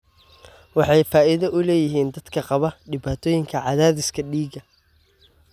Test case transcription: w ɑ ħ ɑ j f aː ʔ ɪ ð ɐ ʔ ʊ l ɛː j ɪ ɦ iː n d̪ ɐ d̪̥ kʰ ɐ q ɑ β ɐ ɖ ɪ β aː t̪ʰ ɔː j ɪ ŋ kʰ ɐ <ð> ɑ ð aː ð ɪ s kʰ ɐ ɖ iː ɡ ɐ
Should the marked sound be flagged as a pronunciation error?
yes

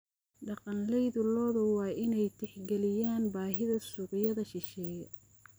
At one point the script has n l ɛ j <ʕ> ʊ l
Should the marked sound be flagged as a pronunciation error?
yes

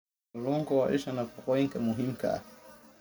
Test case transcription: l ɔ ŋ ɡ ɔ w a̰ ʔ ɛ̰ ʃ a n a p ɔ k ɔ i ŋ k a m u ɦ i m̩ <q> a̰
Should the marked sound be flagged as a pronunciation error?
yes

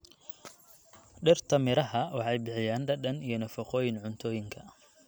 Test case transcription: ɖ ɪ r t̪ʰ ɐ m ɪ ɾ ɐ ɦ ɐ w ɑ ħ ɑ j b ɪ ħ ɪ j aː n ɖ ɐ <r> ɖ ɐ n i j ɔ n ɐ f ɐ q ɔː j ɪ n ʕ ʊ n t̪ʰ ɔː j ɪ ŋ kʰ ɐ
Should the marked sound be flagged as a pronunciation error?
yes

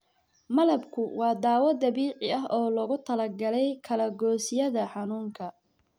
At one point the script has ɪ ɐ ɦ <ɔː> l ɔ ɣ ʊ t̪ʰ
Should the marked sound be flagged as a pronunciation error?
no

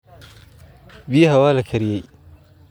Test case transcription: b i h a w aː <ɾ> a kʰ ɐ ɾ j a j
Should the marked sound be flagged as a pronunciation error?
yes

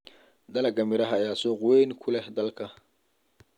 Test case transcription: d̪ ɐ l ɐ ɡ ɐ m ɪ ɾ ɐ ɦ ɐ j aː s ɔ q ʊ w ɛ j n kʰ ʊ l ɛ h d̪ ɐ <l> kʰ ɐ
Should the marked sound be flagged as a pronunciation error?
no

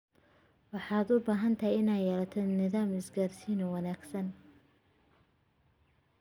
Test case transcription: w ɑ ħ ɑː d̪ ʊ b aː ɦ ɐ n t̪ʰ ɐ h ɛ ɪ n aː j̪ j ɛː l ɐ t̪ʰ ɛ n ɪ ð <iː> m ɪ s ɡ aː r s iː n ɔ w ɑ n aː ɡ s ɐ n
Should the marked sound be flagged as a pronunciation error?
yes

